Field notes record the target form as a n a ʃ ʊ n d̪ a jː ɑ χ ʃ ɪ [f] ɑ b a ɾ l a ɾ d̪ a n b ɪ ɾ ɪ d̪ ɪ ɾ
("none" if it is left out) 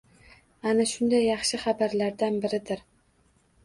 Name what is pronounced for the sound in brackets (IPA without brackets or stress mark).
χ